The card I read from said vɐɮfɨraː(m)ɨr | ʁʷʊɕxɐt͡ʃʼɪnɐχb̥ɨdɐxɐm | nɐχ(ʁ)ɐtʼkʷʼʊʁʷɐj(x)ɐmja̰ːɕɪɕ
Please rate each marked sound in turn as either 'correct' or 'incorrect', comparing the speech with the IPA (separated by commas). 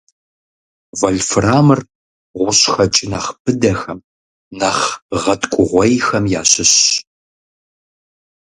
correct, correct, correct